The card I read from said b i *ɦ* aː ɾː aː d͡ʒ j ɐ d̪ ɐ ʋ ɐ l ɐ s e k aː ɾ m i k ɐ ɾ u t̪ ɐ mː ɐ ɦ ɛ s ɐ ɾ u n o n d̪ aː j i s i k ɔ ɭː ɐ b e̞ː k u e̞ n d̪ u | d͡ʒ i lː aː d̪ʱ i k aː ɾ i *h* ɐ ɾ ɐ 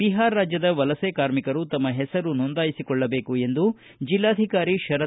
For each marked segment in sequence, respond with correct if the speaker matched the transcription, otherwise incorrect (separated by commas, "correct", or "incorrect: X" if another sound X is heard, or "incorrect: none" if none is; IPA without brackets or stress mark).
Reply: correct, incorrect: ʃ